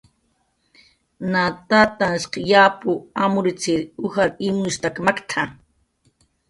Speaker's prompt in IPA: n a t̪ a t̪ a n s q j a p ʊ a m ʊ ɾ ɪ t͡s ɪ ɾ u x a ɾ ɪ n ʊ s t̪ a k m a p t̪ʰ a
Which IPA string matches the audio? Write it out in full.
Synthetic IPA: n a t̪ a t̪ a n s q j a p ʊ a m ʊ ɾ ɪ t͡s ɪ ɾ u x a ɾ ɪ m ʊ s t̪ a k m a k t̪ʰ a